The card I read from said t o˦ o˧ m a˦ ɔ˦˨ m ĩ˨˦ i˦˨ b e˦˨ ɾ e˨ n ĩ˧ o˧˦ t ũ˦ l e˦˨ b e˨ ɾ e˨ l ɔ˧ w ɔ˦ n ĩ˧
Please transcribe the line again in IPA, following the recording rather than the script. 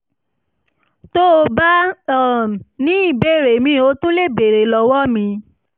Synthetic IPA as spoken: t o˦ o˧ b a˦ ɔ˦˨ n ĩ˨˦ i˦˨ b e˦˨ ɾ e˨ m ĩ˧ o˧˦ t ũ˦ l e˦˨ b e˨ ɾ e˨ l ɔ˧ w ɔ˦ m ĩ˧